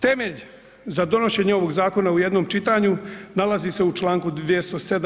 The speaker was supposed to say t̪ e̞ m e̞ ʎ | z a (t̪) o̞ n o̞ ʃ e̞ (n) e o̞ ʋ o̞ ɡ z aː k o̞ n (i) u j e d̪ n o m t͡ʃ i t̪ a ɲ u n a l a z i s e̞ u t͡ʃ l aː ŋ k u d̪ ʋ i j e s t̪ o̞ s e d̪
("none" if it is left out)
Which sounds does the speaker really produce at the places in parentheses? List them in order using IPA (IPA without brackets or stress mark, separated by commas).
d̪, ɲ, a